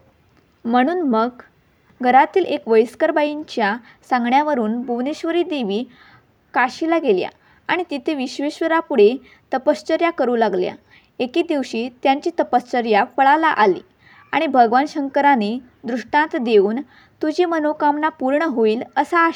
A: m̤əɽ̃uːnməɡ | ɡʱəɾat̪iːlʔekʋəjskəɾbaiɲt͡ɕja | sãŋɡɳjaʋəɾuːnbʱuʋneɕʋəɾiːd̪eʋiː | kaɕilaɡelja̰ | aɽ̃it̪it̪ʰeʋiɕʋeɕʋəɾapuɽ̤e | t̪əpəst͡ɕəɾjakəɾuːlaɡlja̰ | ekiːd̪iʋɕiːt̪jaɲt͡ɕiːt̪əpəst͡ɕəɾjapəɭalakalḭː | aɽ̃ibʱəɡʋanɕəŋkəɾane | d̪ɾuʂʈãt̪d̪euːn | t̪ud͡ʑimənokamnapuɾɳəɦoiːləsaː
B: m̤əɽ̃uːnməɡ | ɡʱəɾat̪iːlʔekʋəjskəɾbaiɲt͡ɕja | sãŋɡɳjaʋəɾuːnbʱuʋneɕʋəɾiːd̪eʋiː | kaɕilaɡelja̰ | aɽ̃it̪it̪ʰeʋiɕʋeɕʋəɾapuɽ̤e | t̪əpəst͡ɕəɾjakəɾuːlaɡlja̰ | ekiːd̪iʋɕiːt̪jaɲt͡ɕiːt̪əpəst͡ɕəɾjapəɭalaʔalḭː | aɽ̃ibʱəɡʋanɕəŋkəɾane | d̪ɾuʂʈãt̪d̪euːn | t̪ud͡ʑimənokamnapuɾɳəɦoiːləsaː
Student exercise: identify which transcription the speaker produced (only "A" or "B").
B